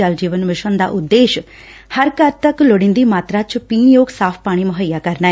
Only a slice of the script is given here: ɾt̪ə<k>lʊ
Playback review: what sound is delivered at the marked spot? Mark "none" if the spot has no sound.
k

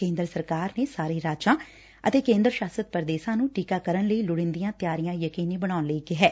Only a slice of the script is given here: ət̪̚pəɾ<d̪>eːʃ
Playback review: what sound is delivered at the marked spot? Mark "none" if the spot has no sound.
d̪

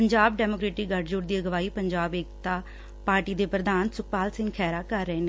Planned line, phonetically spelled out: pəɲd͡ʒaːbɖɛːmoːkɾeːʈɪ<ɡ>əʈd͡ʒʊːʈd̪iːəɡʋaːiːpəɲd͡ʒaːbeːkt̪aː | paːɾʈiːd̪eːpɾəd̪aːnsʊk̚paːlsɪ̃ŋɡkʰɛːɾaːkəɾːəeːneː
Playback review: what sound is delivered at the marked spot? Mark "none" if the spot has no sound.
ɡ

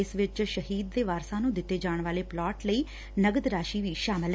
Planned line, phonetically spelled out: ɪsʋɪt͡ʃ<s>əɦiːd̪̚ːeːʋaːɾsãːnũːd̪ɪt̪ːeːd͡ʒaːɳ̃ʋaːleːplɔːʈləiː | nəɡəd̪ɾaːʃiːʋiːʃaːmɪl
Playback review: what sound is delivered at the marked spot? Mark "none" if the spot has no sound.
ʃ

